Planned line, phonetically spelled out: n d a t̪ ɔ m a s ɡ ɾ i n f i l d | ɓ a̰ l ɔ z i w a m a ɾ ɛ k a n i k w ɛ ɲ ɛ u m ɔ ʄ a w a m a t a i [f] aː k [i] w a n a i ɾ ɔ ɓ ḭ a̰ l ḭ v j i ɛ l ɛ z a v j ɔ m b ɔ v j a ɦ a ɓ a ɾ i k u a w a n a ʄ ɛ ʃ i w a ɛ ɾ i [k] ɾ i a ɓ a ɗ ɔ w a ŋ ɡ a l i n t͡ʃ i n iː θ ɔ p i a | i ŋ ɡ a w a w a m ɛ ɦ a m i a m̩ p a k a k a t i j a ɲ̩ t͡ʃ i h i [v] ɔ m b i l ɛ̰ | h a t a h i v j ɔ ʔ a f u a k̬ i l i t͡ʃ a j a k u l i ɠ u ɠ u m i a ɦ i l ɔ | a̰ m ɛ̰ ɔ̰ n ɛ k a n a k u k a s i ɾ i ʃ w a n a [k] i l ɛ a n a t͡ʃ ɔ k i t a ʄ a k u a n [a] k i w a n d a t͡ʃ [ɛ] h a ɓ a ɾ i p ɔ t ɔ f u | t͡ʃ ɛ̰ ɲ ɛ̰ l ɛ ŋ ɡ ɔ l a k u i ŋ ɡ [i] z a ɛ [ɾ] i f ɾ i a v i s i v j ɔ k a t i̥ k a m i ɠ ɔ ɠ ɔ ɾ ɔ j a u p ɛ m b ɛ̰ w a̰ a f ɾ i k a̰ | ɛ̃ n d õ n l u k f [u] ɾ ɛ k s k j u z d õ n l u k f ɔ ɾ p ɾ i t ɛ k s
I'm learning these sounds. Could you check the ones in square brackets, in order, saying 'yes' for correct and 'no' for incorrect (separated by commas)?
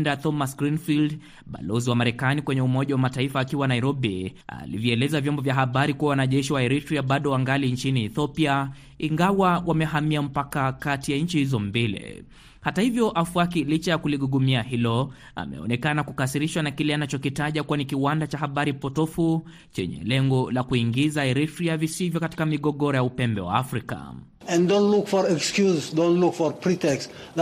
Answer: yes, yes, no, no, yes, no, no, yes, yes, no